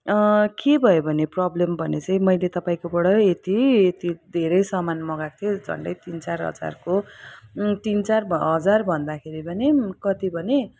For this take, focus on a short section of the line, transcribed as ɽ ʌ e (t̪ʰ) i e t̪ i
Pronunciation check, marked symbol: incorrect: t̪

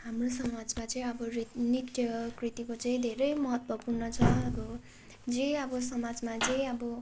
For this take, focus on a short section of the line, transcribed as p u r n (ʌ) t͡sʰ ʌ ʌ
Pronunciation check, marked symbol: correct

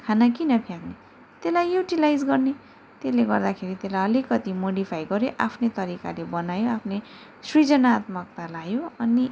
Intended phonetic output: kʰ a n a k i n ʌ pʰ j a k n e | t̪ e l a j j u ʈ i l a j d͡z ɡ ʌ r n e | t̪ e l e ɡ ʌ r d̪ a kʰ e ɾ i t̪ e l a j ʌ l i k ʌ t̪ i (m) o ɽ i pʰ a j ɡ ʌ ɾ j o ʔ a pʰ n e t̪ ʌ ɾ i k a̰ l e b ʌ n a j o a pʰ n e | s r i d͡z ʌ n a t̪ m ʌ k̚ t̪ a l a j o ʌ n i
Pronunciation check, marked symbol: correct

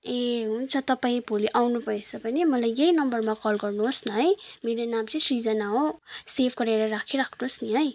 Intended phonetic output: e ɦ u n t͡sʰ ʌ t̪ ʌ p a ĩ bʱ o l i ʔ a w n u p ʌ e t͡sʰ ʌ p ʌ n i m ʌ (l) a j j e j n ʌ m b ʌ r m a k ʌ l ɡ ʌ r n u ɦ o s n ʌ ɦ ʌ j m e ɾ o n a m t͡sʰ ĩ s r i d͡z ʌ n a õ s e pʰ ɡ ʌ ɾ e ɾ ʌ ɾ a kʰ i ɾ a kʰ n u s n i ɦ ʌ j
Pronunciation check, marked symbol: correct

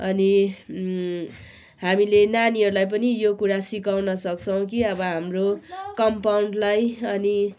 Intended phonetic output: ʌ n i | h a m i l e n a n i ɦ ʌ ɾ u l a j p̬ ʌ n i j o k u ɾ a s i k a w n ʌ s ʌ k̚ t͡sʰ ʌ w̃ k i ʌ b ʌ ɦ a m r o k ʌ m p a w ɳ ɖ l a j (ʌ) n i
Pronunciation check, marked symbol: correct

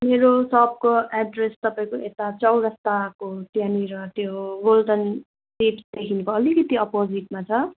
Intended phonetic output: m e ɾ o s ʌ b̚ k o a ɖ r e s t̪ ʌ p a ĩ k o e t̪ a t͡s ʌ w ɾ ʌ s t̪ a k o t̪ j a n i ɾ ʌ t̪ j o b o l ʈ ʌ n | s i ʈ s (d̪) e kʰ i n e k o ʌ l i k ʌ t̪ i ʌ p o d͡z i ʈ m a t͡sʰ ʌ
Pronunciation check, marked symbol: correct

